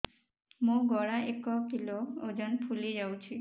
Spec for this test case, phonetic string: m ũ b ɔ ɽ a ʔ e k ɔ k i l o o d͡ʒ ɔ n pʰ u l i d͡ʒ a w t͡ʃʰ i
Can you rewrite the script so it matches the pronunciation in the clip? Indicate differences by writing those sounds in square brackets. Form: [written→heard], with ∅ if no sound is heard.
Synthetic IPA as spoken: m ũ [b→ɡ] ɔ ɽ a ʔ e k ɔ k i l o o d͡ʒ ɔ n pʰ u l i d͡ʒ a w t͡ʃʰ i